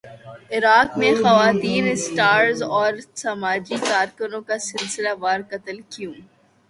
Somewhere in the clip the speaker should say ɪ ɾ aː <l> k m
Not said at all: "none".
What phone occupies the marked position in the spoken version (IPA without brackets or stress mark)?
none